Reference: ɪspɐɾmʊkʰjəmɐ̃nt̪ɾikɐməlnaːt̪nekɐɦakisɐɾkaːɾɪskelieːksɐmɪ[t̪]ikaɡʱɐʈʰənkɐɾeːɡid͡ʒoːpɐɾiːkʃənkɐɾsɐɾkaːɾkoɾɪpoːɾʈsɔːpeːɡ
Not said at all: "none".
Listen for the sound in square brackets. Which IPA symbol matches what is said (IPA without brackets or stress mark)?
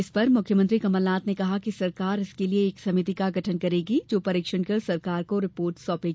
t̪